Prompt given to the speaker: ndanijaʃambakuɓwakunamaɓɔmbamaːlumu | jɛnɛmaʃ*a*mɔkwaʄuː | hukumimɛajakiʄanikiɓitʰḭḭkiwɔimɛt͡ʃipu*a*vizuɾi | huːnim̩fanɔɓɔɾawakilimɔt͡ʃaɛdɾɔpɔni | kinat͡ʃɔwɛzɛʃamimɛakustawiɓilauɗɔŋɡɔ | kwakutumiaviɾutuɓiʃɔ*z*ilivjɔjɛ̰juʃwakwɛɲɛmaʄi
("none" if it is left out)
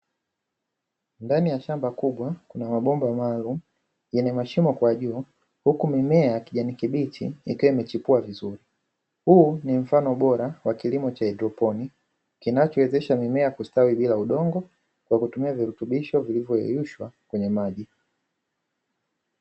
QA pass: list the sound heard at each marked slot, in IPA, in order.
i, a, v

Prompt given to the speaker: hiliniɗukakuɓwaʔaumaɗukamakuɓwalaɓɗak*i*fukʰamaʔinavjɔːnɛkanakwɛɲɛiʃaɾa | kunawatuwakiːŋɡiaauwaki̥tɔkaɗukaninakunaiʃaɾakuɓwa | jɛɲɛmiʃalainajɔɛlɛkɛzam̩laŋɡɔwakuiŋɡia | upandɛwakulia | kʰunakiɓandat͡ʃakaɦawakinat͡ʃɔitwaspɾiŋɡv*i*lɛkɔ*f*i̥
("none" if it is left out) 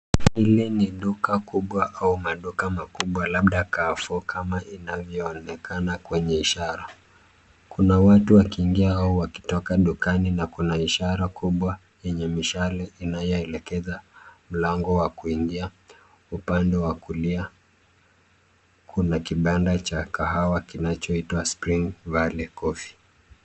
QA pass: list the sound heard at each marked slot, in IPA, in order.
a, a, f

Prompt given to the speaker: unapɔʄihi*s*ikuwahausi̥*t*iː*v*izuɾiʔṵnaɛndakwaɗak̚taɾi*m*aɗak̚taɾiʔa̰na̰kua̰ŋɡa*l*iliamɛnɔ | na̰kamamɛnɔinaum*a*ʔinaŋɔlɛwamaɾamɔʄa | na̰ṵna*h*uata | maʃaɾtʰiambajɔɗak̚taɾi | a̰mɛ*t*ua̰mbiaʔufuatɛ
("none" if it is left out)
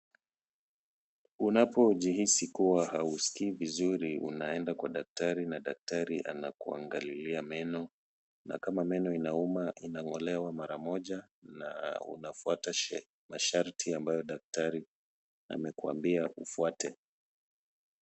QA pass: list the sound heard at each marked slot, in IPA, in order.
s, k, v, n, l, a, f, k

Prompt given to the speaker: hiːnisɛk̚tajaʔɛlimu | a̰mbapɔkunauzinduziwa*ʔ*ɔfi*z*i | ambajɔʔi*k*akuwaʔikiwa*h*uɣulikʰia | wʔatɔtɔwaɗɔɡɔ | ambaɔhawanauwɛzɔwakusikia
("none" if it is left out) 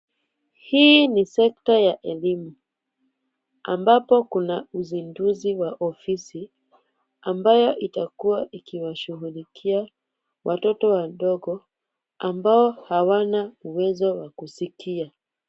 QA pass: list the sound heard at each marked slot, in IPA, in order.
ʔ, s, t, ʃ

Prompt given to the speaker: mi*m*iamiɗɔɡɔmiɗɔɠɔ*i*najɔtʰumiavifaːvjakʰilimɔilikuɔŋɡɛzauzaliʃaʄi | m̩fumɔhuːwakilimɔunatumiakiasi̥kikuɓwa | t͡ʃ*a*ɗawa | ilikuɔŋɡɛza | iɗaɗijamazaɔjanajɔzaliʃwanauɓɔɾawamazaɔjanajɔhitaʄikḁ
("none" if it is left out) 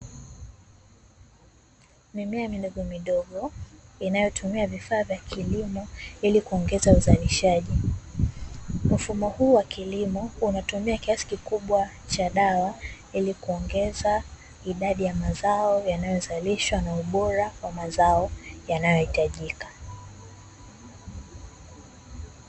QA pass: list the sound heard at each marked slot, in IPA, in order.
m, i, a

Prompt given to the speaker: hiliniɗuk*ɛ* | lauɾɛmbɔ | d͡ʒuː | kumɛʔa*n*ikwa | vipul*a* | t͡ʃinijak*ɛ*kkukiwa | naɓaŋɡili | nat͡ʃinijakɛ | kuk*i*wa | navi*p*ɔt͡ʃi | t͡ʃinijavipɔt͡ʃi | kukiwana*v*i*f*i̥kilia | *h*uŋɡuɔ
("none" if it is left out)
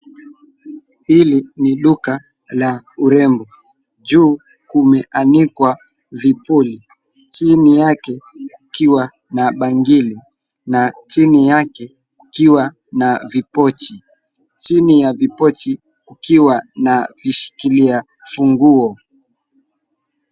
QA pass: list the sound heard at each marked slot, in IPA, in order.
a, n, i, ɛ, i, p, v, ʃ, f

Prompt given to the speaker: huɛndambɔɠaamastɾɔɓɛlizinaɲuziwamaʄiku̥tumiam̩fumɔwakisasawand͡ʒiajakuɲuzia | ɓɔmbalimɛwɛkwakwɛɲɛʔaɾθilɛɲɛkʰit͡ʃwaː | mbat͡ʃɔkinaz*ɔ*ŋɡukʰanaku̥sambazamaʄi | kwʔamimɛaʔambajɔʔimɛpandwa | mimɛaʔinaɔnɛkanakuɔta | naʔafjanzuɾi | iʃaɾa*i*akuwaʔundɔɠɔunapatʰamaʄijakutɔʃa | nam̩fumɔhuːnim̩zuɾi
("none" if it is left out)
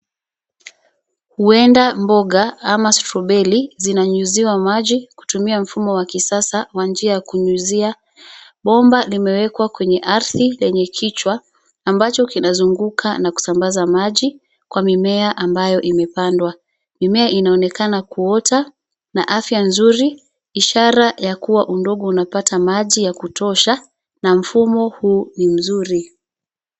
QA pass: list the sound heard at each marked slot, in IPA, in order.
u, j

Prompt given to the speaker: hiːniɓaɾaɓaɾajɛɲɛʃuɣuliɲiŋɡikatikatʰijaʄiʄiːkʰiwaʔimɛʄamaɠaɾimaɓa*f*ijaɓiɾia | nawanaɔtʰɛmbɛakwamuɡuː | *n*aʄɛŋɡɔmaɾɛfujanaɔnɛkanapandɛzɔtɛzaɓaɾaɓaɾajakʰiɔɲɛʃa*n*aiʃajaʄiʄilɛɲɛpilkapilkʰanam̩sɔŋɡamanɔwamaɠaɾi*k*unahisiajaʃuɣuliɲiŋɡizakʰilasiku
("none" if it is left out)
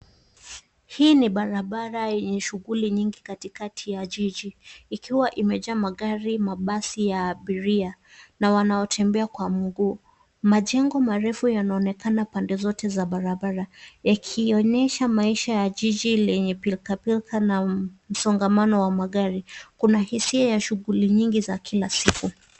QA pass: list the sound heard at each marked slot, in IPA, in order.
s, m, m, k

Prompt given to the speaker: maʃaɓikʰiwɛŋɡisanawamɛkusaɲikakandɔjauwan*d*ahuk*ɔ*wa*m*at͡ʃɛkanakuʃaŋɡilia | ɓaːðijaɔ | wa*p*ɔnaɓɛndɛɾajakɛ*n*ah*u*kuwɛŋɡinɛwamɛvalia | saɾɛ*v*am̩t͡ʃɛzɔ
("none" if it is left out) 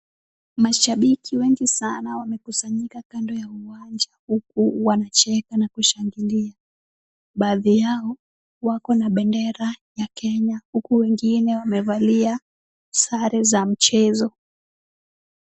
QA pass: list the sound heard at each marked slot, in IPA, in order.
d͡ʒ, u, n, k, ɲ, u, z

